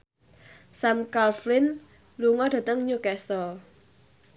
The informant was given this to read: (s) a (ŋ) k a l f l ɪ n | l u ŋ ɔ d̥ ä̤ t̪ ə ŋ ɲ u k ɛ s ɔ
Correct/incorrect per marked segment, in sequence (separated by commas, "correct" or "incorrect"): correct, incorrect